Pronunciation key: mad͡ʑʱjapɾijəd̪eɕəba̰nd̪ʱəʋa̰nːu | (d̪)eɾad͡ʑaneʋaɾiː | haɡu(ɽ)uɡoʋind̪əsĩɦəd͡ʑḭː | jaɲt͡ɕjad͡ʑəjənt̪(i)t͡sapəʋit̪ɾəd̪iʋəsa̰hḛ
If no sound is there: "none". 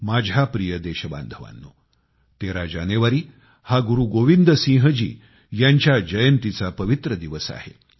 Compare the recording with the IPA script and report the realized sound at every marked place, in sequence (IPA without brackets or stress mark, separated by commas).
t̪, ɾ, i